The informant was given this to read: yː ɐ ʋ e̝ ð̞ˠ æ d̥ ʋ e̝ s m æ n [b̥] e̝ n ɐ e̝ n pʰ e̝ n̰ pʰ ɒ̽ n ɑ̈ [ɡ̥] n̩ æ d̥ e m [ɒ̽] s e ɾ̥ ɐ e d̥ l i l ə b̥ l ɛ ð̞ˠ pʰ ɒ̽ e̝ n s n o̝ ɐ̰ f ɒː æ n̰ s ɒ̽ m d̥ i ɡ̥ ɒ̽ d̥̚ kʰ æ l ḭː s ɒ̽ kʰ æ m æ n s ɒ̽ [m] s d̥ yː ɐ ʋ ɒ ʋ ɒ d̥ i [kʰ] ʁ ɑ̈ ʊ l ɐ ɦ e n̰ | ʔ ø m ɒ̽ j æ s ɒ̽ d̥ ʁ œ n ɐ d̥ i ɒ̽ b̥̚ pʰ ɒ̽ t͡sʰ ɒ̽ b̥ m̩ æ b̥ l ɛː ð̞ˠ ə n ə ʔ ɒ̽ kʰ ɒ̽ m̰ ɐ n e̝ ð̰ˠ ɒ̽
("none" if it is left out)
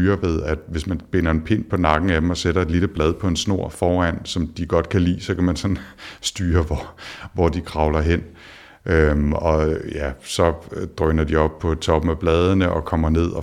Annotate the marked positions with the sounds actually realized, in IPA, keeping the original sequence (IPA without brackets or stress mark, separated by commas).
b̥, ɡ̥, ɒ̽, n, kʰ